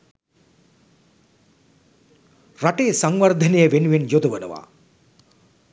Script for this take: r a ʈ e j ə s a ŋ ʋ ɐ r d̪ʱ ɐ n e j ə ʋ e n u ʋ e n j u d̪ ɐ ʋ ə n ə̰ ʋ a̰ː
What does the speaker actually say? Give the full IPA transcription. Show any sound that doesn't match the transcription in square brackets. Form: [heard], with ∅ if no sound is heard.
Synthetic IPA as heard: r a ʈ e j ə s a ŋ ʋ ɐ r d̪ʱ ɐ n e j ə ʋ e n u ʋ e n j [o] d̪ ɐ ʋ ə n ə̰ ʋ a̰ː

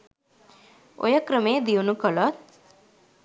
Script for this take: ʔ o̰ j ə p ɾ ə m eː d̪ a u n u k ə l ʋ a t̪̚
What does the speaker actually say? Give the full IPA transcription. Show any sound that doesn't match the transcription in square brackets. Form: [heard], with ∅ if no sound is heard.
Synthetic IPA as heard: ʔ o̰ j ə [k] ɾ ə m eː d̪ [i] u n u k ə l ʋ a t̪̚

